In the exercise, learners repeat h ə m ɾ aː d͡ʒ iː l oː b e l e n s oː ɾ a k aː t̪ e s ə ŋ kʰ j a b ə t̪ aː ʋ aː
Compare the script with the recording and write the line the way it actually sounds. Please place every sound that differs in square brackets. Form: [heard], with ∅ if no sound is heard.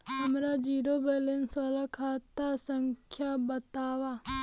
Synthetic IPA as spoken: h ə m ɾ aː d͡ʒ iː [ɾ] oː b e l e n s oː [l] a [kʰ] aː t̪ [a] s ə ŋ kʰ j a b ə t̪ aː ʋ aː